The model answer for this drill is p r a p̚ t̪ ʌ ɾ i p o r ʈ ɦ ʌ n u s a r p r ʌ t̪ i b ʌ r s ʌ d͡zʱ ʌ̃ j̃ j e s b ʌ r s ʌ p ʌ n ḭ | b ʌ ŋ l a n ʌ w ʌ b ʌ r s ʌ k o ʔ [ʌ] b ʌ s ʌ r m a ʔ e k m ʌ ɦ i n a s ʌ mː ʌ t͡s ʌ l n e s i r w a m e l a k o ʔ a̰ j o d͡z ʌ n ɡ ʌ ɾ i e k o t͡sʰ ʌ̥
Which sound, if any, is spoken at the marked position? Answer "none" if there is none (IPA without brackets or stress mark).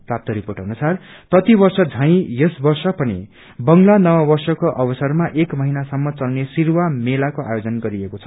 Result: ʌ